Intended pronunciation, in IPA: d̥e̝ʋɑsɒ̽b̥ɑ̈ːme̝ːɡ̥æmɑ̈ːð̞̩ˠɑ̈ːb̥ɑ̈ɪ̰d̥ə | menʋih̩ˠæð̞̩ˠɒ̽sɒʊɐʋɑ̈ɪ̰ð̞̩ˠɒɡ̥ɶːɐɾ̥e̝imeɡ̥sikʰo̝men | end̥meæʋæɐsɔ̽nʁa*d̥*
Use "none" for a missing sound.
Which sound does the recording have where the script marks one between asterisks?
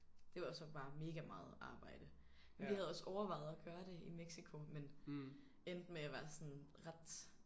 d̥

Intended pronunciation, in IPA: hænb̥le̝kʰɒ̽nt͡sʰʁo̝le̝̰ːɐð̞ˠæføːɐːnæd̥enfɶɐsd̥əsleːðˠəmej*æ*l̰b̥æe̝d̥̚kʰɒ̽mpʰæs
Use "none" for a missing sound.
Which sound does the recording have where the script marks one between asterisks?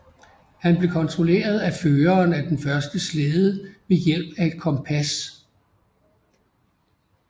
e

